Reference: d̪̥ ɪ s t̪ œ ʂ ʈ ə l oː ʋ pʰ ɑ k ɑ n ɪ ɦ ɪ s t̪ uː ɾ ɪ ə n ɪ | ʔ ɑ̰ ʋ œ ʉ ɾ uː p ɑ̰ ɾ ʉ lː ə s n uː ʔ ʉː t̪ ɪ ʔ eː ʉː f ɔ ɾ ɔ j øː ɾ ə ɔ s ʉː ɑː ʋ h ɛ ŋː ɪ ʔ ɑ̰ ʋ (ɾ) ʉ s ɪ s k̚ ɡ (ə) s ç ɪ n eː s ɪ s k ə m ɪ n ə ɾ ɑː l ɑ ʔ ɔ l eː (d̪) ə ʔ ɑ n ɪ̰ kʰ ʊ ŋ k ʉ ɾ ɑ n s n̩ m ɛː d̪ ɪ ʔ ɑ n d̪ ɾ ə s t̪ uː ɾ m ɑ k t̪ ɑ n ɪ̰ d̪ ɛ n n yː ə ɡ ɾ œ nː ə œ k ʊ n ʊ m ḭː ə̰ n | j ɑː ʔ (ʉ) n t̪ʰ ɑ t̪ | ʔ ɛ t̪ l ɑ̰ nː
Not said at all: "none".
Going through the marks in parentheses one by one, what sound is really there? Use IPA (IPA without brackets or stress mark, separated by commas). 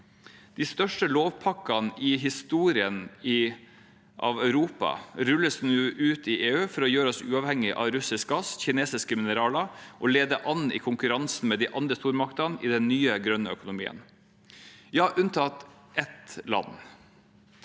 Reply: ɾ, ɑ, d̪, ʉ